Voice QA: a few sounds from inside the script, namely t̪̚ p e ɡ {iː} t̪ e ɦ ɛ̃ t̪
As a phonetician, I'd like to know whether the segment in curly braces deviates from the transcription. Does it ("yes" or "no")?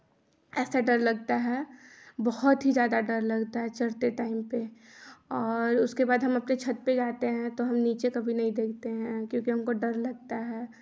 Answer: yes